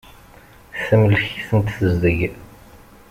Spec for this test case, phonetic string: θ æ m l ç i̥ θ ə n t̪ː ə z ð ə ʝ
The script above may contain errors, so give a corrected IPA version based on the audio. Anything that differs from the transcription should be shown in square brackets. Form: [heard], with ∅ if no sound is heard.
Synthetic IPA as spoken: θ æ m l ç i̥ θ ə n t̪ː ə z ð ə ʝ